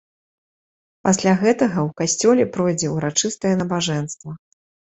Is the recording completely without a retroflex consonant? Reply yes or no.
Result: no